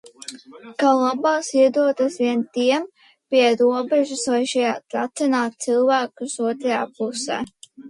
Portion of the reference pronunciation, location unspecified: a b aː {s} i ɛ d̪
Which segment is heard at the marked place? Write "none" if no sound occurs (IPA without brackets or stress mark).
s